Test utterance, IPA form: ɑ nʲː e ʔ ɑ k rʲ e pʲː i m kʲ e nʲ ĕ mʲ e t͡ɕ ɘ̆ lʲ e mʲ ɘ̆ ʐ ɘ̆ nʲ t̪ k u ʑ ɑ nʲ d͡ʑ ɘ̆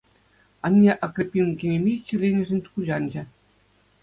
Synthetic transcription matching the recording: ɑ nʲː e ʔ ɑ k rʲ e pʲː i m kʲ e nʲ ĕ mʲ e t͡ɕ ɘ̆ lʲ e nʲ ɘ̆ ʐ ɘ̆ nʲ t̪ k u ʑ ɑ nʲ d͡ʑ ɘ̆